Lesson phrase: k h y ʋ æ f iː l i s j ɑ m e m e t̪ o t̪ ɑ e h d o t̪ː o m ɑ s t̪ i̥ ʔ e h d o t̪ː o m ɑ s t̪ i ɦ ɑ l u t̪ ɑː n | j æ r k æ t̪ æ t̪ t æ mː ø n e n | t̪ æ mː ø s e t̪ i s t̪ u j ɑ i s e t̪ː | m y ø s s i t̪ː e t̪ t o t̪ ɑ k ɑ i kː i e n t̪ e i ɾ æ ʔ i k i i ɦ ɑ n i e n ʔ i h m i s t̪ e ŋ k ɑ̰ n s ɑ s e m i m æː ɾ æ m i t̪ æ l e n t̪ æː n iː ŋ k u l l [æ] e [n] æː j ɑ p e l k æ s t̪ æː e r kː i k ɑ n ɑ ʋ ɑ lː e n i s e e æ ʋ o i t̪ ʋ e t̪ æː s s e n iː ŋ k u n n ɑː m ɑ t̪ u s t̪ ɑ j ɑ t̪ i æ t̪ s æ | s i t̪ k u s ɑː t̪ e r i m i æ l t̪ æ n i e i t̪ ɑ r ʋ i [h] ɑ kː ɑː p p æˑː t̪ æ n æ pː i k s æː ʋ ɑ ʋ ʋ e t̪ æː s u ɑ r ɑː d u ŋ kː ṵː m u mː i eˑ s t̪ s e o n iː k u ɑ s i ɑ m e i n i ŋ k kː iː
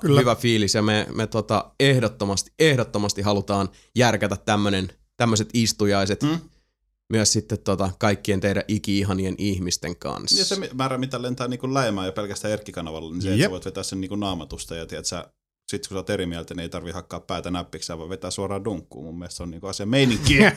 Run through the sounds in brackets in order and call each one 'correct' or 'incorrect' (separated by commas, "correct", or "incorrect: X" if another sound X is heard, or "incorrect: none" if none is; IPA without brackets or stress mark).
correct, incorrect: m, correct